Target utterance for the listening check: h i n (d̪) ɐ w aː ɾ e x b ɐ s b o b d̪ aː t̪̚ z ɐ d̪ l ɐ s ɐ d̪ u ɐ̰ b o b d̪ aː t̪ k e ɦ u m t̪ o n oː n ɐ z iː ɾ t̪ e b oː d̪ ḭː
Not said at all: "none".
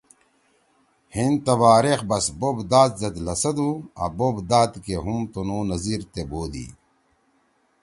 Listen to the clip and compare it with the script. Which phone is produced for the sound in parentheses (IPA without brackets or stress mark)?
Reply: t̪